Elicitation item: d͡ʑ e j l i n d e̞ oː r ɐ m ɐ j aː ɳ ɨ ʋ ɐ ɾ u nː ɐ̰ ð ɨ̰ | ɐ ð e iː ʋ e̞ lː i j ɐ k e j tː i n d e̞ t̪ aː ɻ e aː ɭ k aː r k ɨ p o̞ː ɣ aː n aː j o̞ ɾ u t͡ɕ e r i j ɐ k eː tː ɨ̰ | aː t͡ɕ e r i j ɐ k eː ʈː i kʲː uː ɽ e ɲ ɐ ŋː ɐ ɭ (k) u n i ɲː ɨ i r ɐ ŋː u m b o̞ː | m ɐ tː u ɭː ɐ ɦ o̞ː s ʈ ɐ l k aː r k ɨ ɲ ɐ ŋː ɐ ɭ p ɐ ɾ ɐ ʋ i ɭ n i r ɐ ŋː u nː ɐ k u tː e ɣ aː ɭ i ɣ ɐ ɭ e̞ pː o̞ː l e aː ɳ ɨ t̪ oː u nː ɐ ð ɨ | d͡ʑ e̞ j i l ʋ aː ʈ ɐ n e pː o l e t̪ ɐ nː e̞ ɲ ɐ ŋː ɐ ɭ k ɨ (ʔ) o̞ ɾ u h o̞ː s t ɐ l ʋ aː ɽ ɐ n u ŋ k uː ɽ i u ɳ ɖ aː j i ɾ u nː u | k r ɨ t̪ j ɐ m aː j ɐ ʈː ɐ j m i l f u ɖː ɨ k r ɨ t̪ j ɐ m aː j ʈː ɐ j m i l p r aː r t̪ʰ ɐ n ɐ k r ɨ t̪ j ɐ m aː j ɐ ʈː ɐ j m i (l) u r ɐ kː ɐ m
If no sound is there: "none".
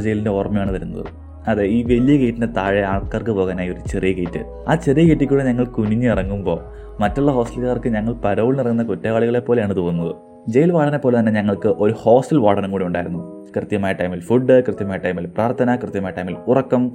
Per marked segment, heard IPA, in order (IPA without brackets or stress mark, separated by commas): k, ʔ, l